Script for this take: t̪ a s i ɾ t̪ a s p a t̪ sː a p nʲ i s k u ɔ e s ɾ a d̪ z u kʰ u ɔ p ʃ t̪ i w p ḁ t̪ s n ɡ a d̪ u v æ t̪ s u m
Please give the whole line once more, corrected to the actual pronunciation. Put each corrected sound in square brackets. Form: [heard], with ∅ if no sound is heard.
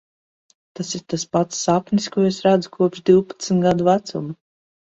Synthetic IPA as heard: t̪ a s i ɾ t̪ a s p a t̪ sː a p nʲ i s k u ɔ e s ɾ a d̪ z u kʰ u ɔ p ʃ [d̪] i w p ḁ t̪ s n ɡ a d̪ u v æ t̪ s u m